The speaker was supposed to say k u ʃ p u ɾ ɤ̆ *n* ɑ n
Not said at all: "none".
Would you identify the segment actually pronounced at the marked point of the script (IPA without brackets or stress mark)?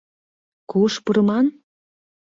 m